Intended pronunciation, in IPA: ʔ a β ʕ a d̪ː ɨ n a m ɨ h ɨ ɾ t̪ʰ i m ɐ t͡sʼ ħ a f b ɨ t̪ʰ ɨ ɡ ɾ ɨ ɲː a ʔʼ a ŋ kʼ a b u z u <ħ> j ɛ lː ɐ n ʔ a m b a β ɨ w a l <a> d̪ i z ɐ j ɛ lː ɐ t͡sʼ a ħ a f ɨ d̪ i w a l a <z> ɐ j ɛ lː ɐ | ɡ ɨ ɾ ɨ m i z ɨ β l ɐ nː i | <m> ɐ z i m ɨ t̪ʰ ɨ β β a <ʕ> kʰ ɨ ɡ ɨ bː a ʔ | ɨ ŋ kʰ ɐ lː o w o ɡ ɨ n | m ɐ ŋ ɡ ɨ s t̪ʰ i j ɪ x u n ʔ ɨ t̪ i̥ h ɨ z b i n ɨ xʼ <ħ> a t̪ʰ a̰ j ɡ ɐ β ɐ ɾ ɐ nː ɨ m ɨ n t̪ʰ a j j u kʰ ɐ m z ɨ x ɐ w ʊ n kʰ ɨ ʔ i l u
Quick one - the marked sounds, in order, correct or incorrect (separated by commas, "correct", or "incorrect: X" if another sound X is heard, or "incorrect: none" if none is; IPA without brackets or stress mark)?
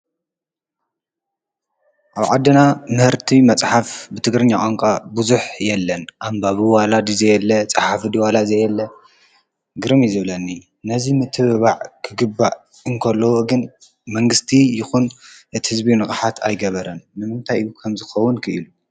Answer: correct, correct, correct, incorrect: n, correct, correct